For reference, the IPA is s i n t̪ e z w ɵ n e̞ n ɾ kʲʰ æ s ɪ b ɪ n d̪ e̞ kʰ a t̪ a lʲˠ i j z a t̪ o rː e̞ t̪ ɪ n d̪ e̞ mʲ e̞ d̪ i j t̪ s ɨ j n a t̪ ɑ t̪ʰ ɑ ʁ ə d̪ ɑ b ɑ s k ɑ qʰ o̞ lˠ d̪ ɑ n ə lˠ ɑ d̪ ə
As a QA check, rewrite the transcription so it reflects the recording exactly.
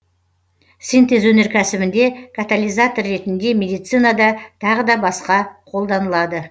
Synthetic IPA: s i n t̪ e z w ɵ n e̞ ɾ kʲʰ æ s ɪ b ɪ n d̪ e̞ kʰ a t̪ a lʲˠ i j z a t̪ o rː e̞ t̪ ɪ n d̪ e̞ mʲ e̞ d̪ i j t̪ s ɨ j n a d̪ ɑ t̪ʰ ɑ ʁ ə d̪ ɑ b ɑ s q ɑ qʰ o̞ lˠ d̪ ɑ n ə lˠ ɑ d̪ ə